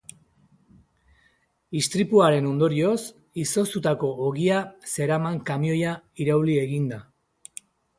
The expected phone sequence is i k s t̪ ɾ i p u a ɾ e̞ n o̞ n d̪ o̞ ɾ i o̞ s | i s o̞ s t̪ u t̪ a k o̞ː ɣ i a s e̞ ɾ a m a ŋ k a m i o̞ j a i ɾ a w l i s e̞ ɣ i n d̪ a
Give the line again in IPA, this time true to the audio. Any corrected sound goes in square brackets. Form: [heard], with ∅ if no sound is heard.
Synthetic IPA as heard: i [∅] s t̪ ɾ i p u a ɾ e̞ n o̞ n d̪ o̞ ɾ i o̞ s | i s o̞ s t̪ u t̪ a k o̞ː ɣ i a s e̞ ɾ a m a ŋ k a m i o̞ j a i ɾ a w l i [∅] e̞ ɣ i n d̪ a